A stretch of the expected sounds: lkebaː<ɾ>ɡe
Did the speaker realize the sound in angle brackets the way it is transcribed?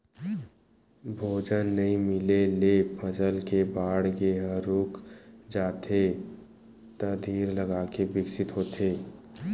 no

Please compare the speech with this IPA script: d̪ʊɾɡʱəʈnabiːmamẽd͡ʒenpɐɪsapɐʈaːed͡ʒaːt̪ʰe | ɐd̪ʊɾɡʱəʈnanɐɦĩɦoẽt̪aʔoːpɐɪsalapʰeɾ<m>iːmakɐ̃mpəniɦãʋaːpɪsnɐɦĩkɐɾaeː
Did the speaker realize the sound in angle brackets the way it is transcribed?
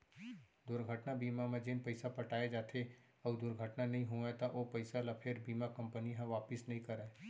no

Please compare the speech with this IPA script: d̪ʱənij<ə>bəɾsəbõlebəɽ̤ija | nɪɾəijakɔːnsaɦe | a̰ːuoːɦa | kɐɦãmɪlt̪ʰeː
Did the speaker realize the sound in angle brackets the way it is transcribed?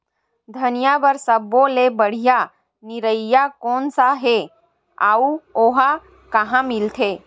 no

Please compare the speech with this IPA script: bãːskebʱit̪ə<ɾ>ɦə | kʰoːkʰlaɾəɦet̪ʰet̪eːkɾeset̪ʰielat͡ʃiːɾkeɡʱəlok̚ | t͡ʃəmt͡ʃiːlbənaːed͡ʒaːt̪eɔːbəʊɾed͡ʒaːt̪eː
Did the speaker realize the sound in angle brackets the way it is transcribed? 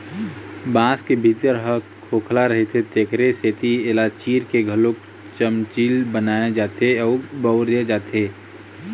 yes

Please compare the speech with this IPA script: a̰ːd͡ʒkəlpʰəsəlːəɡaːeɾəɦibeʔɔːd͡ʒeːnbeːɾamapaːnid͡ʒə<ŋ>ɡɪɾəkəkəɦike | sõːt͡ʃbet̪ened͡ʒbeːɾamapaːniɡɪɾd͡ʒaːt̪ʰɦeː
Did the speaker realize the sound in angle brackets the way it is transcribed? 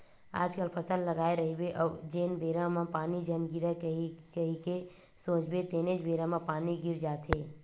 no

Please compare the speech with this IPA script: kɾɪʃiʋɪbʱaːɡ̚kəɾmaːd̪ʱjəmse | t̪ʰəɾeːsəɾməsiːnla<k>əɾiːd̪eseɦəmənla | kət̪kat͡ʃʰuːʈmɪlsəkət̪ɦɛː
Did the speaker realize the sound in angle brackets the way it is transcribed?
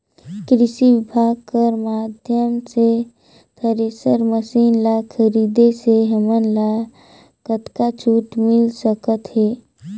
no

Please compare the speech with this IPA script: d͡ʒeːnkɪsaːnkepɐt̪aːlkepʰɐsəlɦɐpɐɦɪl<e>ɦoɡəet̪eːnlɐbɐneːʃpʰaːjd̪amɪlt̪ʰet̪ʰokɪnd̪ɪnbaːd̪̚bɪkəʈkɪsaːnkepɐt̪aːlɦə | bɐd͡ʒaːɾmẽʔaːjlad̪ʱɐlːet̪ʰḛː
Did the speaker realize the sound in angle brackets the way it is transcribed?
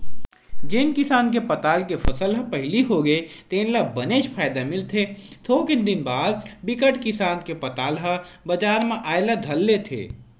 no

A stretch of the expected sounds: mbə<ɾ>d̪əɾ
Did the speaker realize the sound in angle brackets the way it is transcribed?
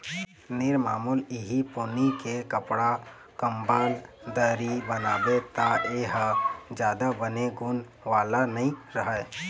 no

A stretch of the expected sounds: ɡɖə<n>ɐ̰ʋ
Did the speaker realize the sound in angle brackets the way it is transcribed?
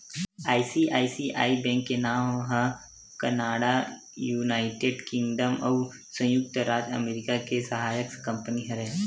no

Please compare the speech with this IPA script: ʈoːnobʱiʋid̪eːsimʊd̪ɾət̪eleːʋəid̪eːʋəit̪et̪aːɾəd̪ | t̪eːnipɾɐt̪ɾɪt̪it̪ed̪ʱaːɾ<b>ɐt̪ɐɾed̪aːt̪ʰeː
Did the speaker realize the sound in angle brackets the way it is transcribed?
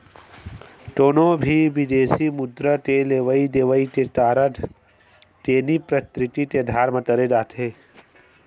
no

